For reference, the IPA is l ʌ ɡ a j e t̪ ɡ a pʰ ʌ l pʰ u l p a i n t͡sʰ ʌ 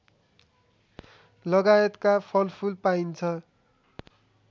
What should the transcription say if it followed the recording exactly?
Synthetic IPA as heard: l ʌ ɡ a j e t̪ k a pʰ ʌ l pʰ u l p a i n t͡sʰ ʌ